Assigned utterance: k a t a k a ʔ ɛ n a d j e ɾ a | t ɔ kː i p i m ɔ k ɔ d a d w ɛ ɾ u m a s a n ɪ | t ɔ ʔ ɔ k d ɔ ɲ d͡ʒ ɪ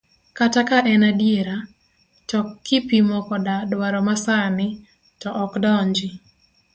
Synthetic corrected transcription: k a t a k a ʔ ɛ n a d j e ɾ a | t ɔ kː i p i m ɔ k ɔ d a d w a ɾ ɔ m a s a n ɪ | t ɔ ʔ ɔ k d ɔ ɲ d͡ʒ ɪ